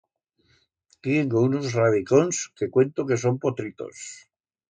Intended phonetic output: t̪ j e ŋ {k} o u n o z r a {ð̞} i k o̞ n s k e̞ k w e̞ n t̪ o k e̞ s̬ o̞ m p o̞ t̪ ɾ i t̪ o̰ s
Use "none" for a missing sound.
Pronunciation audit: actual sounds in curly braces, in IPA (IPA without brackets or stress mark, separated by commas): ɡ, ð̞